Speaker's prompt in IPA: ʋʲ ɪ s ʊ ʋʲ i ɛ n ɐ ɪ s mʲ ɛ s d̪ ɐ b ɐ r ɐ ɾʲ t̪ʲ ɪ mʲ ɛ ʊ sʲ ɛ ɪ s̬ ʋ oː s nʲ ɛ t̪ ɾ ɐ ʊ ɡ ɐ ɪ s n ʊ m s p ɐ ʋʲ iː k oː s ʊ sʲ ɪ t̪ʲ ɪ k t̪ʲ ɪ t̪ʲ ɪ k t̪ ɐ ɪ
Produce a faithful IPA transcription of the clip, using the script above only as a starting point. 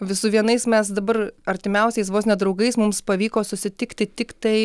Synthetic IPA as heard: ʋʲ ɪ s ʊ ʋʲ i ɛ n ɐ ɪ s mʲ ɛ s d̪ ɐ b ɐ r ɐ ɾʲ t̪ʲ ɪ mʲ ɛ ʊ sʲ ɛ ɪ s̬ ʋ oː s nʲ ɛ d̪ ɾ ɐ ʊ ɡ ɐ ɪ s m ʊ m s p ɐ ʋʲ iː k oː s ʊ sʲ ɪ t̪ʲ ɪ k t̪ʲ ɪ t̪ʲ ɪ k t̪ ɐ ɪ